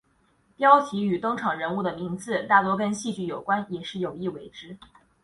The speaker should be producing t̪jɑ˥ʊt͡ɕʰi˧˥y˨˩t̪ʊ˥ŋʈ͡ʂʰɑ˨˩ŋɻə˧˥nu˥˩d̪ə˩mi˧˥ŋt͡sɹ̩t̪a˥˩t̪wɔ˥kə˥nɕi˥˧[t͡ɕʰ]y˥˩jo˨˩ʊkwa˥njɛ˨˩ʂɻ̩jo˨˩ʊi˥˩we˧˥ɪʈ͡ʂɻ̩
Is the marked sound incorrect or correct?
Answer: incorrect